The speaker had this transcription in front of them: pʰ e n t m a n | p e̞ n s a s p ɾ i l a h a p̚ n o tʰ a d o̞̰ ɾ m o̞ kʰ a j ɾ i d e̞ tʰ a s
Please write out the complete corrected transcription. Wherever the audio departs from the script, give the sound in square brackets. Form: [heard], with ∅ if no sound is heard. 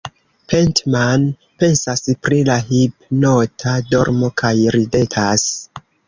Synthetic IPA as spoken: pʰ e n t m a n | p e̞ n s a s p ɾ i l a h [i] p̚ n o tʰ a d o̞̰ ɾ m o̞ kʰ a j ɾ i d e̞ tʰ a s